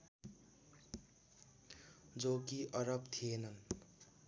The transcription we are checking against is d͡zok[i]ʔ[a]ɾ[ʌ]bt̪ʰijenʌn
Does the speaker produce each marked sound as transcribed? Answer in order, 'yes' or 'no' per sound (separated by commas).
yes, no, yes